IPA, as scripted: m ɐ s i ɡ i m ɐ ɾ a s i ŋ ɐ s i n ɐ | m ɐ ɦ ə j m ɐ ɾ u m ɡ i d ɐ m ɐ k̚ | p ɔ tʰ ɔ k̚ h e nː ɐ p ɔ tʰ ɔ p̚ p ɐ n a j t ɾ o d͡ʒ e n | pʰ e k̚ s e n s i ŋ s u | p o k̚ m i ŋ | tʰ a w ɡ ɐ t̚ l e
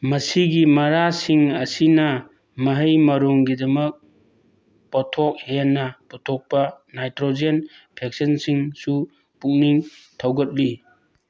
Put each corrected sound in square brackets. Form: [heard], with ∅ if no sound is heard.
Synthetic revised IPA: m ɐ s i ɡ i m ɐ ɾ a s i ŋ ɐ s i n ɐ | m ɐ ɦ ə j m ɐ ɾ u [ŋ] ɡ i d ɐ m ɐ k̚ | p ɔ tʰ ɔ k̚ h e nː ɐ p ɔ tʰ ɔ [k̚] p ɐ n a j t ɾ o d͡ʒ e n | pʰ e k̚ s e n s i ŋ s u | p [u] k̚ [n] i ŋ | tʰ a w ɡ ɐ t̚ l [i]

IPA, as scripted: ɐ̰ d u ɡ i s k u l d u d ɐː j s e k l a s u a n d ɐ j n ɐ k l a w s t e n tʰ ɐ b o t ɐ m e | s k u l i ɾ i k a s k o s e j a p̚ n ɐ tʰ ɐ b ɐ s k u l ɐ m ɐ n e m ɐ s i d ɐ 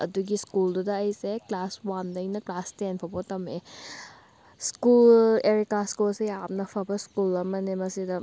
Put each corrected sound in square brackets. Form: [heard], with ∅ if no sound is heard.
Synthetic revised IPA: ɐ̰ d u ɡ i s k u l d u d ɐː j s e k l a s [w] a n d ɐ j n ɐ k l a [∅] s t e n [pʰ] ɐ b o t ɐ m e | s k u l [e] ɾ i k a s k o s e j a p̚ n ɐ [pʰ] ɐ b ɐ s k u l ɐ m ɐ n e m ɐ s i d ɐ

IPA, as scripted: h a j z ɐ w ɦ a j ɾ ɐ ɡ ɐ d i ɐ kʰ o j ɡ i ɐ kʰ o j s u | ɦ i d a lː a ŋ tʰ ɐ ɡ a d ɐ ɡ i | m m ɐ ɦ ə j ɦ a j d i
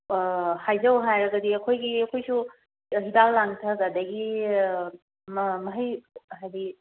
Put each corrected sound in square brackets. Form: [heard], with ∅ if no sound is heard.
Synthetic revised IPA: h a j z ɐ w ɦ a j ɾ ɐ ɡ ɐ d i ɐ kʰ o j ɡ i ɐ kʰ o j s u | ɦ i d a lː a ŋ tʰ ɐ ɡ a d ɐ ɡ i | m m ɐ ɦ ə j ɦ a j d i

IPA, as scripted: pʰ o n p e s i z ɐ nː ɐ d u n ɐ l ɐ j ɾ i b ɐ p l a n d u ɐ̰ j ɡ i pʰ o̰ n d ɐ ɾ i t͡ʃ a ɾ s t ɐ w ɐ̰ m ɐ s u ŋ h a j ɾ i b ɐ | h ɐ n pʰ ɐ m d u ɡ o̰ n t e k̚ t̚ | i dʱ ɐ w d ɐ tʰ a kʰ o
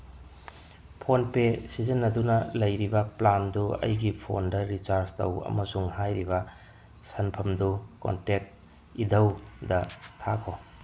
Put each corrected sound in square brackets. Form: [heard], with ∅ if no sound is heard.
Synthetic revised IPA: pʰ o n p e s i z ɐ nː ɐ d u n ɐ l ɐ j ɾ i b ɐ p l a n d u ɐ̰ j ɡ i pʰ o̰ n d ɐ ɾ i t͡ʃ a ɾ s t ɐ w ɐ̰ m ɐ s u ŋ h a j ɾ i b ɐ | [s] ɐ n pʰ ɐ m d u [k] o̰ n t e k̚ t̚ | i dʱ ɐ w d ɐ tʰ a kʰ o

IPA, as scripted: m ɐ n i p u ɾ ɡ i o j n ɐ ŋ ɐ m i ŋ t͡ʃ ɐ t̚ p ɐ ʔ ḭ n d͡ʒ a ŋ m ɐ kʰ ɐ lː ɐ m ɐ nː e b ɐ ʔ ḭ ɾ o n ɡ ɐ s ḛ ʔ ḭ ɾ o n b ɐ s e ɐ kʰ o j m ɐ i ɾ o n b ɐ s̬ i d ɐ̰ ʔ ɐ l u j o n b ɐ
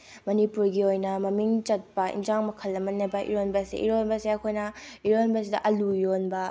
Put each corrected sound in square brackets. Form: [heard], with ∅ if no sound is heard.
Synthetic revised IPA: m ɐ n i p u ɾ ɡ i o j n ɐ [m] ɐ m i ŋ t͡ʃ ɐ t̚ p ɐ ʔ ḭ n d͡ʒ a ŋ m ɐ kʰ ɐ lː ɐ m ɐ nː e b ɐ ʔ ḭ ɾ o n [b] ɐ s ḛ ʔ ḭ ɾ o n b ɐ s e ɐ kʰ o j [n] ɐ i ɾ o n b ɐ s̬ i d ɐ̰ ʔ ɐ l u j o n b ɐ

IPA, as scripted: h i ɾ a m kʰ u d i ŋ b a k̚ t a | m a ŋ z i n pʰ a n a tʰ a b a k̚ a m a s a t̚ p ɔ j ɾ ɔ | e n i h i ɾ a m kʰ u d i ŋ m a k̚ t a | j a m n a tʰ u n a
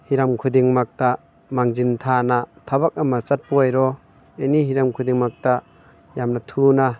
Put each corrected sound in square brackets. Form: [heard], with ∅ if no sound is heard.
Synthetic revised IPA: h i ɾ a m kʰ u d i ŋ [m] a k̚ t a | m a ŋ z i n [tʰ] a n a tʰ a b a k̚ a m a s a t̚ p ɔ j ɾ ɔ | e n i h i ɾ a m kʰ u d i ŋ m a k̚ t a | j a m n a tʰ u n a

